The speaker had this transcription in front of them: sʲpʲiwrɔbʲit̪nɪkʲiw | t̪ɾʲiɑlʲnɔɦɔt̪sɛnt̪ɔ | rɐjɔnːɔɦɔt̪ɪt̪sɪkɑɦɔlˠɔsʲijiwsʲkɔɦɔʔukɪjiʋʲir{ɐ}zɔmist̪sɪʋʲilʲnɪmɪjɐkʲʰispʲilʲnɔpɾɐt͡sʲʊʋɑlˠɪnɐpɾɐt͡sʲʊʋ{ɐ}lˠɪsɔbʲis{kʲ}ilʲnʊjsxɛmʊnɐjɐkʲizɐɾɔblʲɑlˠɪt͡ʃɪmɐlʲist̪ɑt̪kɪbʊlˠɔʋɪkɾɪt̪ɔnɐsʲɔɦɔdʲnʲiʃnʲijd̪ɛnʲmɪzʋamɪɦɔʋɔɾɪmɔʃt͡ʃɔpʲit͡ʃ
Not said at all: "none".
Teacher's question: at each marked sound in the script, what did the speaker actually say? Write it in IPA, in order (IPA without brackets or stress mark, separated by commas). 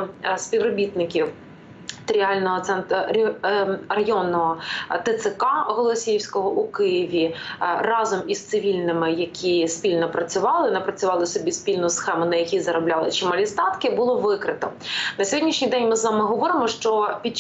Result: ɑ, ɑ, pʲ